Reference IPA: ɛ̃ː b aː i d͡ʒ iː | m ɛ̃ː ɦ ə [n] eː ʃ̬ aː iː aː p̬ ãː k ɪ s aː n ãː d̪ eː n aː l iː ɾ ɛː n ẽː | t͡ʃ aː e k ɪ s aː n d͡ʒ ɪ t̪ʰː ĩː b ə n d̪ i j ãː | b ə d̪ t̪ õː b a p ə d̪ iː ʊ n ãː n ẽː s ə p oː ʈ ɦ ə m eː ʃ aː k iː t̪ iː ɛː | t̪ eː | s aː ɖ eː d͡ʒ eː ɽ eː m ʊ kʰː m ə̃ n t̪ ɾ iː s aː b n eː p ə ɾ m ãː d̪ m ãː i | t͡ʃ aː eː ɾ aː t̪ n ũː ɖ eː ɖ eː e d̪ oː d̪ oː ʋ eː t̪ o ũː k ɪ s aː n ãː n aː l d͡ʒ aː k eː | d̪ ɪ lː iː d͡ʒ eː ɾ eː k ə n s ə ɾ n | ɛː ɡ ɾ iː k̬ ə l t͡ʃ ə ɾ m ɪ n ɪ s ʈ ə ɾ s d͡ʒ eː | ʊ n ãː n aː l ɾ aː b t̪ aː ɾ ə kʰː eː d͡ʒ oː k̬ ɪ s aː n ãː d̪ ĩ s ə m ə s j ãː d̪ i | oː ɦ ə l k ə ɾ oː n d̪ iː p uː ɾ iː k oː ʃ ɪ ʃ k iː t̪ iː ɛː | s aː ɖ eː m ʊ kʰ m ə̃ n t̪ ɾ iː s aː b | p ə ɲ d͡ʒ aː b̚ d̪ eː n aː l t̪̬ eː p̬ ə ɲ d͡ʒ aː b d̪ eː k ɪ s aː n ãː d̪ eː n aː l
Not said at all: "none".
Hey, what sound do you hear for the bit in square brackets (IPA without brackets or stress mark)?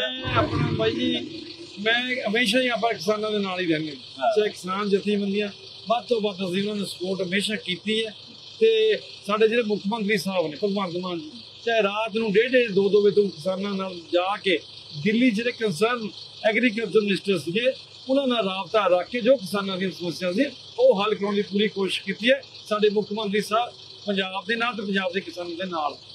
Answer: m